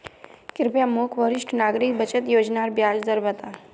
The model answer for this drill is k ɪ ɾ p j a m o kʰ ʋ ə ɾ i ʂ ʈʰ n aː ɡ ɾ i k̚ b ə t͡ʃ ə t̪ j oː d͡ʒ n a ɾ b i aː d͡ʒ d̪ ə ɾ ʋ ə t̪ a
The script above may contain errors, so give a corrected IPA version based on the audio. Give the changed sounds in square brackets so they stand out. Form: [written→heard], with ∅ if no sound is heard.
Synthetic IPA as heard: k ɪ ɾ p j a m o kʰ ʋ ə ɾ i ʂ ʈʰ n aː ɡ ɾ i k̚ b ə t͡ʃ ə t̪ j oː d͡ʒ n a ɾ b [i→j] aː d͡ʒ d̪ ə ɾ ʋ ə t̪ a